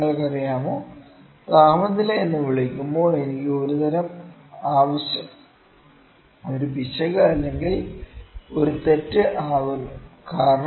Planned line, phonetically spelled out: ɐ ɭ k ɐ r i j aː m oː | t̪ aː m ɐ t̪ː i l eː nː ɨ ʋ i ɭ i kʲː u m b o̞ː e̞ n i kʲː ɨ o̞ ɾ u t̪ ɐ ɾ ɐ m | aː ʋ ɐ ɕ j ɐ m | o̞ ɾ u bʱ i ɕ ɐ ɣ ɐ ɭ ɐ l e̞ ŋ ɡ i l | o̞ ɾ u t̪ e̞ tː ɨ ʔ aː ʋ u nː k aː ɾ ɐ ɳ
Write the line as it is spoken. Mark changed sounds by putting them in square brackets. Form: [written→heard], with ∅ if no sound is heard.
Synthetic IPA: ɐ ɭ k ɐ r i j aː m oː | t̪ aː m ɐ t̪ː i l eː nː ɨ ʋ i ɭ i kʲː u m b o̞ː e̞ n i kʲː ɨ o̞ ɾ u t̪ ɐ ɾ ɐ m | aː ʋ ɐ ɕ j ɐ m | o̞ ɾ u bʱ i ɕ ɐ ɣ ɐ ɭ ɐ [l→lː] e̞ ŋ ɡ i l | o̞ ɾ u t̪ e̞ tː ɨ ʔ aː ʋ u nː k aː ɾ ɐ ɳ